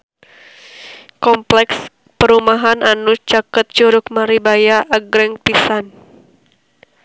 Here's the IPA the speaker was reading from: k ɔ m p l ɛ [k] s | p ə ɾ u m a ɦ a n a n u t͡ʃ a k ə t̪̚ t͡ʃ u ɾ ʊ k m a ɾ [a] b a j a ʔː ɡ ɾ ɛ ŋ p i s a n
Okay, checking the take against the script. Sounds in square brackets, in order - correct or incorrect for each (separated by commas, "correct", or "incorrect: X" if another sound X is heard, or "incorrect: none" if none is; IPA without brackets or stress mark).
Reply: correct, incorrect: i